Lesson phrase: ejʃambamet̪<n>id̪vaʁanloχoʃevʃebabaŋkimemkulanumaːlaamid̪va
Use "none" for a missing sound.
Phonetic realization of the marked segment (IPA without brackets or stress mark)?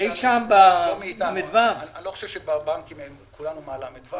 m